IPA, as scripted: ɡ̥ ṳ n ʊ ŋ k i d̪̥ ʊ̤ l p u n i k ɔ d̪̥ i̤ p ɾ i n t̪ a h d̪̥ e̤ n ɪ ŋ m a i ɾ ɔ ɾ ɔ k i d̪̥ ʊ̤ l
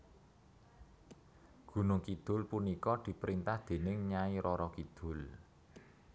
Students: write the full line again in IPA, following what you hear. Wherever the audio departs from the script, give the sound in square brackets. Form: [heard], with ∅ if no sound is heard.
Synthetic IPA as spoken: ɡ̥ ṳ n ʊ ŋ k i d̪̥ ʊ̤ l p u n i k ɔ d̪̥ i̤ p ɾ i n t̪ a h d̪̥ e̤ n ɪ ŋ [ɲ] a i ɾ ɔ ɾ ɔ k i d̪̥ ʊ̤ l